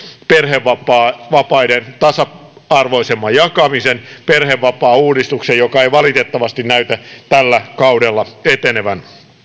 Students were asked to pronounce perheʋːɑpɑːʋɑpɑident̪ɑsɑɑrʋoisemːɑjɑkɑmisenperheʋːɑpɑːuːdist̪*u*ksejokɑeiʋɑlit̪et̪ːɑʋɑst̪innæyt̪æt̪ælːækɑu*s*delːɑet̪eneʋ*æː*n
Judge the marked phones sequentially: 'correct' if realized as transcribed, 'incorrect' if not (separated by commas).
correct, incorrect, incorrect